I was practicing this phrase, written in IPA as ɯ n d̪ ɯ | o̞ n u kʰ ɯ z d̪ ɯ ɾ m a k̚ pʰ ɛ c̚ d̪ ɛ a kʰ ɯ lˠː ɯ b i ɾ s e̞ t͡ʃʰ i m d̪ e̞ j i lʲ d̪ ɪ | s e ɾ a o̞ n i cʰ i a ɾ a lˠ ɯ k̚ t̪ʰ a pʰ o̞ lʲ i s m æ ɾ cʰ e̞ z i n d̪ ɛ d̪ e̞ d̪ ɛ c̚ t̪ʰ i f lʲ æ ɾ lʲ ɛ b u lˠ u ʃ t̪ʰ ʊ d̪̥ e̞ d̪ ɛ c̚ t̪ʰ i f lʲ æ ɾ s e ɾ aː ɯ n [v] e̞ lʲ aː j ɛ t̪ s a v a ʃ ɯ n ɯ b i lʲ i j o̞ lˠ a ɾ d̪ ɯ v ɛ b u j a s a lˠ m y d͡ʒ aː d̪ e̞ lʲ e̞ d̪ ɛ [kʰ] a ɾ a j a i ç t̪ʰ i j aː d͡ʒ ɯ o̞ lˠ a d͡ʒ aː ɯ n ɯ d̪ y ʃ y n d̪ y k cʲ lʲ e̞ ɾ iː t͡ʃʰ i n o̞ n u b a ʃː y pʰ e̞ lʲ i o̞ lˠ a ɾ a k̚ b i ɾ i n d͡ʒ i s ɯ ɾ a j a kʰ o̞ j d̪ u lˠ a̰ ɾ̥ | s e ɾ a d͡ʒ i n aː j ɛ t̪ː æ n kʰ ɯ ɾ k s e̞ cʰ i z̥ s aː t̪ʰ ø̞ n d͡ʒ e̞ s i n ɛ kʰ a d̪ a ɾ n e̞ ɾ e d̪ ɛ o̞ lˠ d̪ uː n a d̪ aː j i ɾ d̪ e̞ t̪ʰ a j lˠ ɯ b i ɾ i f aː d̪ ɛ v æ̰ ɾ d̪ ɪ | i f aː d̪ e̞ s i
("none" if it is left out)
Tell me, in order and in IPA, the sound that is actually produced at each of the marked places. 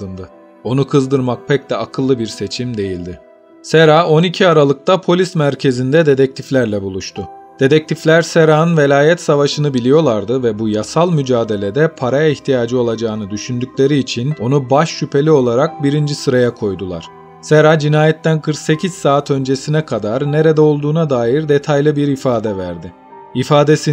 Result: v, pʰ

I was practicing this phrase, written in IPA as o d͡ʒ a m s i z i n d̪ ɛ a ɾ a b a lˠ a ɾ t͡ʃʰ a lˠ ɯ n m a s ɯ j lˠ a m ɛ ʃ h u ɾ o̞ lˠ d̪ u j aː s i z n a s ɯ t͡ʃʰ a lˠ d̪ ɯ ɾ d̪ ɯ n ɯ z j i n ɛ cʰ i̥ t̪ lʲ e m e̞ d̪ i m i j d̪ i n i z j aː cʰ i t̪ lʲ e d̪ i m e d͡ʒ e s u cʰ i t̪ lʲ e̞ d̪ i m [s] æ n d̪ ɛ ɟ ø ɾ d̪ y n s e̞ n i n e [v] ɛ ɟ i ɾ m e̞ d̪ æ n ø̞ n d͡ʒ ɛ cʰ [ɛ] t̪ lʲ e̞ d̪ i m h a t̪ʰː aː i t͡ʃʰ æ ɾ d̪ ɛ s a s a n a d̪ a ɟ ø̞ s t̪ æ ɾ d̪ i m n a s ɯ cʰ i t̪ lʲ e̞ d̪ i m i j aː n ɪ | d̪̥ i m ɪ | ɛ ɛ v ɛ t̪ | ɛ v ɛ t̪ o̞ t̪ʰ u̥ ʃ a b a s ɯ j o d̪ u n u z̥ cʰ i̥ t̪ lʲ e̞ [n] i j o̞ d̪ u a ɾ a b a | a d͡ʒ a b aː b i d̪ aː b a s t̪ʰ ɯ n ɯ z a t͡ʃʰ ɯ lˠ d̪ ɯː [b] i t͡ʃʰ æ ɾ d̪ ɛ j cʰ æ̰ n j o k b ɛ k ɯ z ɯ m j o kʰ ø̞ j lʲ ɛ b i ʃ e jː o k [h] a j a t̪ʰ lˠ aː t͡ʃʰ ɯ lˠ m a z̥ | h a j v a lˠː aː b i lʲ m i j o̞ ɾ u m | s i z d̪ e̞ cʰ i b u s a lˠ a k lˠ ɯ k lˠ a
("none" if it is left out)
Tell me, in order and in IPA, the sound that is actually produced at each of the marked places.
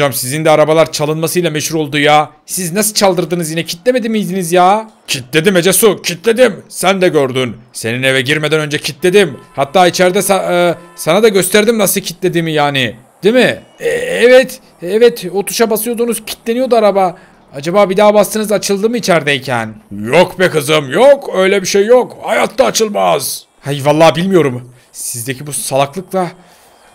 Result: s, v, i, n, m, h

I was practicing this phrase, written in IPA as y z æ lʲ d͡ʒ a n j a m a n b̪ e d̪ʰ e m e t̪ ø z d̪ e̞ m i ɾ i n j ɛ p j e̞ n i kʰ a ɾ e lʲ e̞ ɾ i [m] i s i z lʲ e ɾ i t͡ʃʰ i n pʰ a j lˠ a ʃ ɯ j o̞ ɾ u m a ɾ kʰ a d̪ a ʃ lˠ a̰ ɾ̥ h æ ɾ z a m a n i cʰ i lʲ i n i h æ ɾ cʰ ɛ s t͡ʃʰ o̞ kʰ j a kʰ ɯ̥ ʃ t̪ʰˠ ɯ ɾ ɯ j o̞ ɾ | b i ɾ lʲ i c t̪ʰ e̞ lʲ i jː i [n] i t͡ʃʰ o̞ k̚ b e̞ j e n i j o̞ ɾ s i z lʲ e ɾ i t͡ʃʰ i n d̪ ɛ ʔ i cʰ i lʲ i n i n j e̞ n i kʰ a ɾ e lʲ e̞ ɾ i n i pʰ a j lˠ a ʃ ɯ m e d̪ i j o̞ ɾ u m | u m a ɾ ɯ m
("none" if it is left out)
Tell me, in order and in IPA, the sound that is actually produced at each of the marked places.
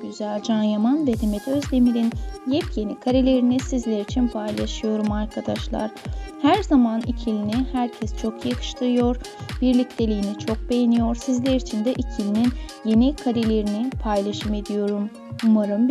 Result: n, n

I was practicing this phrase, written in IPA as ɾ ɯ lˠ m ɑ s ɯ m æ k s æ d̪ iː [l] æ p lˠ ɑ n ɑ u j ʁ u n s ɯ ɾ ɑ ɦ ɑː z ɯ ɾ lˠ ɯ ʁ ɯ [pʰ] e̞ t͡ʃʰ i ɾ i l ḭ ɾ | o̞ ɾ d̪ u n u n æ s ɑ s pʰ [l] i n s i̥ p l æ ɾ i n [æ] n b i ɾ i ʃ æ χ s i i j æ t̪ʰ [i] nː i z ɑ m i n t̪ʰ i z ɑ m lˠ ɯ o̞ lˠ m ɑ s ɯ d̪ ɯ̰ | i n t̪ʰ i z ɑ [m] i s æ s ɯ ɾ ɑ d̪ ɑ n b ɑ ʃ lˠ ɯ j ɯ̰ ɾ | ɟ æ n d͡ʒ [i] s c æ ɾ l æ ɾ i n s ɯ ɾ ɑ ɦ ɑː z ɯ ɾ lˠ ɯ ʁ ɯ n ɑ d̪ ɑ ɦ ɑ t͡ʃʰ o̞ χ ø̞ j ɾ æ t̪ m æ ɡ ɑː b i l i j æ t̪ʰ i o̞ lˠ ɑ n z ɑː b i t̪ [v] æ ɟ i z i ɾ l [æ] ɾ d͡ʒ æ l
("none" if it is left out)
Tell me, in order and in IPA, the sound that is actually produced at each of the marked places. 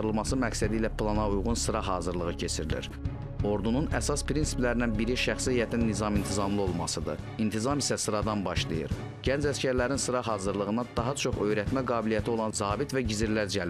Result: l, cʰ, ɾ, æ, i, m, æ, v, æ

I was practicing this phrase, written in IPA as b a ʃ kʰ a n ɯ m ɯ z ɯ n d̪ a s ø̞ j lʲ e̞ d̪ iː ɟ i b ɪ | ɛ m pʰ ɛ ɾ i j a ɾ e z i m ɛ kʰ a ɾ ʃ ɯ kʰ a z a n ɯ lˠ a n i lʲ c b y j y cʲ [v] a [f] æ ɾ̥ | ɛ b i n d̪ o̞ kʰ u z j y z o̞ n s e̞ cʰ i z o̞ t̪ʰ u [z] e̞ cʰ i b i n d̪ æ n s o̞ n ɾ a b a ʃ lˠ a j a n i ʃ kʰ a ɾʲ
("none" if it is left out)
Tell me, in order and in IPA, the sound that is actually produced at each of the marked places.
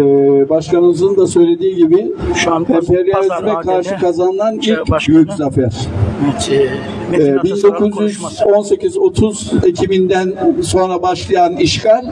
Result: z, f, z

